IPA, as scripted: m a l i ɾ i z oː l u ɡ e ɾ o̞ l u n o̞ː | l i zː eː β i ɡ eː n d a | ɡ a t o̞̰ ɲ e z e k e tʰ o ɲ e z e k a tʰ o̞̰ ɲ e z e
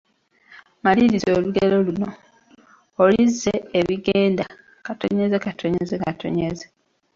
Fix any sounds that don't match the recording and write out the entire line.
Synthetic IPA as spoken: m a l i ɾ i z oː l u ɡ e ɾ o̞ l u n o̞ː | l i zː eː β i ɡ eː n d a | k a t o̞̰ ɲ e z e k a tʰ o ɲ e z e k a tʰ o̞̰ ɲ e z e